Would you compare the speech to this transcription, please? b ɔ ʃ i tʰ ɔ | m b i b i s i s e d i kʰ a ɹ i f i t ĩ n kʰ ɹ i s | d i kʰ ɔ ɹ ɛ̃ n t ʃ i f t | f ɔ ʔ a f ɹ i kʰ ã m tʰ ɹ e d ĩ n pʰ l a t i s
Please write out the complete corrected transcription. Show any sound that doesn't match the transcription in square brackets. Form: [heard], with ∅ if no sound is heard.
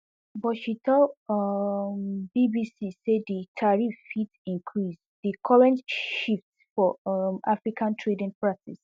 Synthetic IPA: b ɔ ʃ i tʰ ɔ | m b i b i s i s e d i [tʰ] a ɹ i f i t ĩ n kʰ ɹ i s | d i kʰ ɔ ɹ ɛ̃ n t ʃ i f t | f ɔ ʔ a f ɹ i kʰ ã [n] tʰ ɹ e d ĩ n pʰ [ɹ] a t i s

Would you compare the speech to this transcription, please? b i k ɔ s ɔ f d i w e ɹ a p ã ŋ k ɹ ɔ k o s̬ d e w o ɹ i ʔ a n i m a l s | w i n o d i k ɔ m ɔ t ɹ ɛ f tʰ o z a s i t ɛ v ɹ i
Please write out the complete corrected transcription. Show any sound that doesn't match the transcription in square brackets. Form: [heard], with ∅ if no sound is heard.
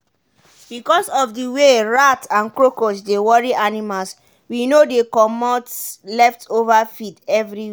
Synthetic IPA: b i k ɔ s ɔ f d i w e ɹ a [t] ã [n] k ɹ [o] k o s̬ d e w [ɔ] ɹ i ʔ a n i m a l s | w i n o d [e] k ɔ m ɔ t [l] ɛ f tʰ o [v] a [f] i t ɛ v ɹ i

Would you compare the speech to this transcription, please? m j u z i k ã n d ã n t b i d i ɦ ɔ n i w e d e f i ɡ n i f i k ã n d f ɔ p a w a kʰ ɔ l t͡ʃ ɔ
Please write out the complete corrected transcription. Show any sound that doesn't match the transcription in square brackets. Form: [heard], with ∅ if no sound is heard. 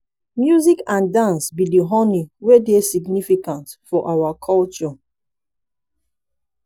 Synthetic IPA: m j u z i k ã n d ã n [s] b i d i ɦ ɔ n i w e d e [s] i ɡ n i f i k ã n [t] f ɔ [ʔ] a w a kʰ ɔ l t͡ʃ ɔ

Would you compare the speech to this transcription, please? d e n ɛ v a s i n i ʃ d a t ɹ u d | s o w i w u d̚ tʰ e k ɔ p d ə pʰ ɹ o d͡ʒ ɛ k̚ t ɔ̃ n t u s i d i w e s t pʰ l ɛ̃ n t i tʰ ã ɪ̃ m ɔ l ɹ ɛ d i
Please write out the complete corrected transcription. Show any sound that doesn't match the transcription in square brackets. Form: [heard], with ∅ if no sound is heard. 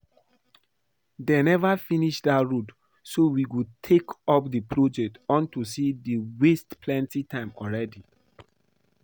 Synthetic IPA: d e n ɛ v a [f] i n i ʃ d a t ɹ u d | s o w i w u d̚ tʰ e k ɔ p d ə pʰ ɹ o d͡ʒ ɛ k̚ t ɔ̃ n t u s i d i w e s t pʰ l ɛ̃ n t i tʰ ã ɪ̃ m ɔ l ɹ ɛ d i

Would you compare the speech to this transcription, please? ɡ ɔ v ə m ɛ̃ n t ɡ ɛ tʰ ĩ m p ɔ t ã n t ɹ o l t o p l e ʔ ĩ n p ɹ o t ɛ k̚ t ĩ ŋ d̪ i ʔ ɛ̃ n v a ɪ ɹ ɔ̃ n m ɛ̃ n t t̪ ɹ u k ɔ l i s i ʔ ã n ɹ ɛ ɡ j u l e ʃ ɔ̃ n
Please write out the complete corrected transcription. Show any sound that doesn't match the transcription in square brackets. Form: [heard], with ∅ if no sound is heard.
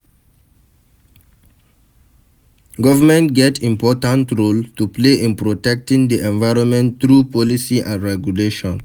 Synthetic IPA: ɡ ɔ v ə m ɛ̃ n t ɡ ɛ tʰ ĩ m p ɔ t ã n t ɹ o l t [u] p l e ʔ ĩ n p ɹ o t ɛ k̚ t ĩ ŋ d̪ i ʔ ɛ̃ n v a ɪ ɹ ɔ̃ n m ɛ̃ n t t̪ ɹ u [p] ɔ l i s i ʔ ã n ɹ ɛ ɡ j u l e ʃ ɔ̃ n

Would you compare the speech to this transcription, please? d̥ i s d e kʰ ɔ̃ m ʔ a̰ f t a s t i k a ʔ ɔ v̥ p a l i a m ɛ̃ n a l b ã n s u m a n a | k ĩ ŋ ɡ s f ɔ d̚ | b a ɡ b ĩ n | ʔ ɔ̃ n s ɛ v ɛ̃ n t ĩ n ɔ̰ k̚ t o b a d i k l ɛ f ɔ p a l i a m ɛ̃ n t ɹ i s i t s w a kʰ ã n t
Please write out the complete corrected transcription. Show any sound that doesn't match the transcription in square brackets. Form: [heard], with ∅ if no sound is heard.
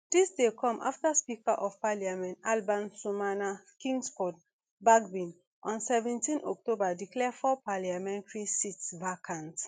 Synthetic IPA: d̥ i s d e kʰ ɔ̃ m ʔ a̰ f t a s [p] i k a ʔ ɔ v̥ p a l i a m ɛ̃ n a l b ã n s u m a n a | k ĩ ŋ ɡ s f ɔ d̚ | b a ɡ b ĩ n | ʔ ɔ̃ n s ɛ v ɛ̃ n t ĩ n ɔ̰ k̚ t o b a d i k l ɛ f ɔ p a l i a m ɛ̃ n t ɹ i s i t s [v] a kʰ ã n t

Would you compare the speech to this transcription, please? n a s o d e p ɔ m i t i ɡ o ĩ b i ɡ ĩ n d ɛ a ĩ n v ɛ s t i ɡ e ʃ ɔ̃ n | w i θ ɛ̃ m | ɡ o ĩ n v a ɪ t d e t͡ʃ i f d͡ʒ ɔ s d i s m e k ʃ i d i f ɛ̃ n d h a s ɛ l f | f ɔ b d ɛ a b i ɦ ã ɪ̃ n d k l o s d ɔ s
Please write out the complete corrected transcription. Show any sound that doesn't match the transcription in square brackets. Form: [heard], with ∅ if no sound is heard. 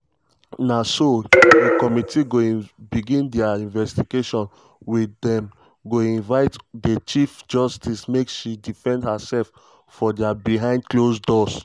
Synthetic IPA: n a s o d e [k] ɔ m i t i ɡ o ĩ b i ɡ ĩ n d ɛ a ĩ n v ɛ s t i ɡ e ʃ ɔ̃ n | w i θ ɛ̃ m | ɡ o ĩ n v a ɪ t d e t͡ʃ i f d͡ʒ ɔ s [t] i s m e k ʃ i d i f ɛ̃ n d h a s ɛ l f | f ɔ [∅] d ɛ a b i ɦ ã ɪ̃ n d k l o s d ɔ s

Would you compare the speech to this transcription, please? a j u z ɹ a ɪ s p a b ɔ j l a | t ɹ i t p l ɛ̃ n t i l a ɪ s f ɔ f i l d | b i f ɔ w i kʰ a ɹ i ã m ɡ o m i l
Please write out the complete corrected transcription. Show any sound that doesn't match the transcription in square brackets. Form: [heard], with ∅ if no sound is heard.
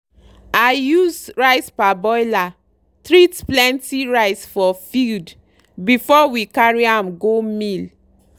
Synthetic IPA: a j u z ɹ a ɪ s p a b ɔ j l a | t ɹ i t p l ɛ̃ n t i [ɹ] a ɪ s f ɔ f i l d | b i f ɔ w i [k] a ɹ i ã m ɡ o m i l

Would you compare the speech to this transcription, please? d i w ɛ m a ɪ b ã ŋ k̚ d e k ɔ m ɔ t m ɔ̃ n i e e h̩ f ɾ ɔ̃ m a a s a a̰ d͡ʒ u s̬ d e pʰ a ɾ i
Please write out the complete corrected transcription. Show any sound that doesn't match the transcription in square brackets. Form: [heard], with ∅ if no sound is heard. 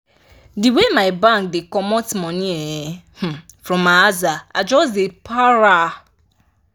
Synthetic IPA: d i w [e] m a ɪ b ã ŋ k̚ d e k ɔ m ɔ t m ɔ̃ n i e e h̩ f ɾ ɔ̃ m a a [z] a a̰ d͡ʒ [ɔ] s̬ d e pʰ a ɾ [a]

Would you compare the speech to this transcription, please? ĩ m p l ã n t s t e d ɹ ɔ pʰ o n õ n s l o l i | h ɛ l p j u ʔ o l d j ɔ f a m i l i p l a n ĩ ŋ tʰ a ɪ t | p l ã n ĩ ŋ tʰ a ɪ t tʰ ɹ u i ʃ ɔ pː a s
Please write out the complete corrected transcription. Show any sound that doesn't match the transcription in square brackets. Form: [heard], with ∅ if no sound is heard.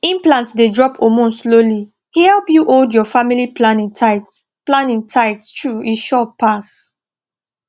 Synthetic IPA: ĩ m p l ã n t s [d] e d ɹ ɔ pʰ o [m] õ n s l o l i | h ɛ l p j u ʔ o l d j ɔ f a m i l i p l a n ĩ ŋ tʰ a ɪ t | p l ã n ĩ ŋ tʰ a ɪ t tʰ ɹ u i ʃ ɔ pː a s

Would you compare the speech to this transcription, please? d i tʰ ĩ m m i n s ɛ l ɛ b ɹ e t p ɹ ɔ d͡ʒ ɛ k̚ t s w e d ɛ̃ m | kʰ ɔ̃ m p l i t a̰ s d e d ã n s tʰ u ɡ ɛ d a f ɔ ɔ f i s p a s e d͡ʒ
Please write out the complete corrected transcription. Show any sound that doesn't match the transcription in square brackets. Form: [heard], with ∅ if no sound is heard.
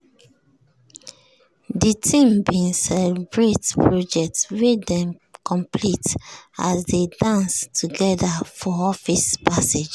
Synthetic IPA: d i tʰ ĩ m [b] i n s ɛ l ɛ b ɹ e t p ɹ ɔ d͡ʒ ɛ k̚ t s w e d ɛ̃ m | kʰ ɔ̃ m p l i t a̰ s d e d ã n s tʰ u ɡ ɛ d a f ɔ ɔ f i s p a s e d͡ʒ

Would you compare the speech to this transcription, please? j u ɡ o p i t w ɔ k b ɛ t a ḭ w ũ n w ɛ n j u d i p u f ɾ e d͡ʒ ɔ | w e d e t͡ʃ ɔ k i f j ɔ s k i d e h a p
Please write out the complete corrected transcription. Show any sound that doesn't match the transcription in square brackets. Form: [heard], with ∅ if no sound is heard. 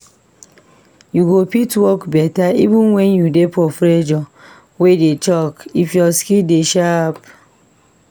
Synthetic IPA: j u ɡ o p i t w ɔ k b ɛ t a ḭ [v] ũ n w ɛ n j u d [e] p [ɔ] f ɾ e d͡ʒ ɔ | w e d e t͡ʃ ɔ k i f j ɔ s k i d e [ʃ] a p

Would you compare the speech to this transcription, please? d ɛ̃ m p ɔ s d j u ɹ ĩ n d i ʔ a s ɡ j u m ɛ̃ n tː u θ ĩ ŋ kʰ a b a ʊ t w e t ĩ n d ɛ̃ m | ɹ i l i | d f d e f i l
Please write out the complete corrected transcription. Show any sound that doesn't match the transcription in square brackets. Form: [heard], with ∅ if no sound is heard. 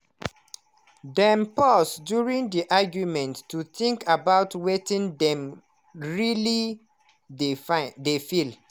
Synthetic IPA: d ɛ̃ m p ɔ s d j u ɹ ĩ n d i ʔ a [∅] ɡ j u m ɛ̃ n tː u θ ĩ ŋ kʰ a b a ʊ t w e t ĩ n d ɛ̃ m | ɹ i l i | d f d e f i l

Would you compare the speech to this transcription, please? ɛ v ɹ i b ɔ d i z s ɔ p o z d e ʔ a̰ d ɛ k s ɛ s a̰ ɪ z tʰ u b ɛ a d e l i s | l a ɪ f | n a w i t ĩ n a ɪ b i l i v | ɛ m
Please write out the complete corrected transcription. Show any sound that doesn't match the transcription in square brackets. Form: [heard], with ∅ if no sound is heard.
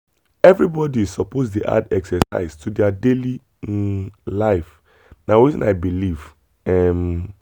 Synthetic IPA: ɛ v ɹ i b ɔ d i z s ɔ p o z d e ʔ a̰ d ɛ k s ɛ s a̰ ɪ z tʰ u [d] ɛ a d e l i [∅] | l a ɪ f | n a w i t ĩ n a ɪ b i l i v | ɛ m

